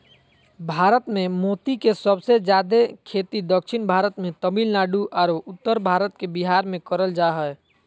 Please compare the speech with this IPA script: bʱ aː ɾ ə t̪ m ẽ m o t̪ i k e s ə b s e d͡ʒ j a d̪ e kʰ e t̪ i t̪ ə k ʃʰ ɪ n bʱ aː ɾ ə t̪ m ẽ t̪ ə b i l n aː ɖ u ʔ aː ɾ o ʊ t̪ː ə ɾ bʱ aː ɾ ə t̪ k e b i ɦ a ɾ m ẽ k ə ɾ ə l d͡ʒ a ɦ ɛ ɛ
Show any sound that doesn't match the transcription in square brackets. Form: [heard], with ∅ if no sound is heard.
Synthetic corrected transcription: bʱ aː ɾ ə t̪ m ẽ m o t̪ i k e s ə b s e d͡ʒ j a d̪ e kʰ e t̪ i [d̪] ə k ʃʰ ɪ n bʱ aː ɾ ə t̪ m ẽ t̪ ə b i l n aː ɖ u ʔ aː ɾ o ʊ t̪ː ə ɾ bʱ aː ɾ ə t̪ k e b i ɦ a ɾ m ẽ k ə ɾ ə l d͡ʒ a ɦ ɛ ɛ